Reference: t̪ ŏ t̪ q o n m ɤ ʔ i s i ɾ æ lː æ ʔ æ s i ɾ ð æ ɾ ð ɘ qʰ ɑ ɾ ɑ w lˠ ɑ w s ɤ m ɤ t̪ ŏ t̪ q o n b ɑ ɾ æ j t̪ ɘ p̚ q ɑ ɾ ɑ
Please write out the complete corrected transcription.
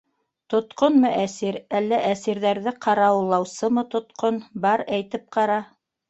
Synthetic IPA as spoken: t̪ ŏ t̪ q o n m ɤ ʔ æ s i ɾ æ lː æ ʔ æ s i ɾ ð æ ɾ ð ɘ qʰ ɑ ɾ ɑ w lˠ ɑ w s ɤ m ɤ t̪ ŏ t̪ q o n b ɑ ɾ æ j t̪ ɘ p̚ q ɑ ɾ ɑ